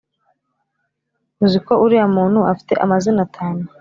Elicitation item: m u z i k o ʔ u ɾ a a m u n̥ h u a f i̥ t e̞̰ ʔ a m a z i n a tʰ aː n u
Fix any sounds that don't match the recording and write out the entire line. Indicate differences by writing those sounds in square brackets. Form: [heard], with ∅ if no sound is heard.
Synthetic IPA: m u z i k o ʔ u ɾ [i] a m [uː] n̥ h u a f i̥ t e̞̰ ʔ a m a z i n a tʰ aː n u